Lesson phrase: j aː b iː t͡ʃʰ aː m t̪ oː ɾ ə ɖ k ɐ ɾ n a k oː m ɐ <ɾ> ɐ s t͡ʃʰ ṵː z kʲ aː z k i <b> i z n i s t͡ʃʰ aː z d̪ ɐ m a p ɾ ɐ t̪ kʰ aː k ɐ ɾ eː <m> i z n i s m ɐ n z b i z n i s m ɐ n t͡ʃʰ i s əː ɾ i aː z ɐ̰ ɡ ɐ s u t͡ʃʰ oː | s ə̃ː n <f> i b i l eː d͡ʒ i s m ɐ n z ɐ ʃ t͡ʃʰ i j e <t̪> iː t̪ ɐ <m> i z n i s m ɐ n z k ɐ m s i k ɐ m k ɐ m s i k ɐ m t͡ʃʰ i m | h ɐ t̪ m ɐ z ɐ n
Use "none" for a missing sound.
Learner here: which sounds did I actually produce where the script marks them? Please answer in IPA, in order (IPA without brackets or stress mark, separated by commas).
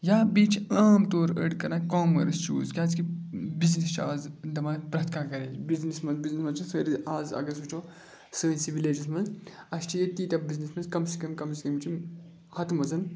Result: ɾ, b, b, s, t̪, b